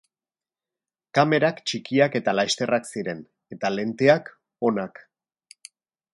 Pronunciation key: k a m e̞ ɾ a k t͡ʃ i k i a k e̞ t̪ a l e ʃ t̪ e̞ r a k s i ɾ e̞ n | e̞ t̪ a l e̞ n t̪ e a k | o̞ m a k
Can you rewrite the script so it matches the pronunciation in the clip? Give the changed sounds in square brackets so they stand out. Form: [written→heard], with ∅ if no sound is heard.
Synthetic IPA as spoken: k a m e̞ ɾ a k t͡ʃ i k i a k e̞ t̪ a l [e→a] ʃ t̪ e̞ r a k s i ɾ e̞ n | e̞ t̪ a l e̞ n t̪ e a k | o̞ [m→n] a k